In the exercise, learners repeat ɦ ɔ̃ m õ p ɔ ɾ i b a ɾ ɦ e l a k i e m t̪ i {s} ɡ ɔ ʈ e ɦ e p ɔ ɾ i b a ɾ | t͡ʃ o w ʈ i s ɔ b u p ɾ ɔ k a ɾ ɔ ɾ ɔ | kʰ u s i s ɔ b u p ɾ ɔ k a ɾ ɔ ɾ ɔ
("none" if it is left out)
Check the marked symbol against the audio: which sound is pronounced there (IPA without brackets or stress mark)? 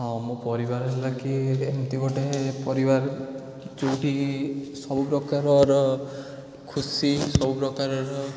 none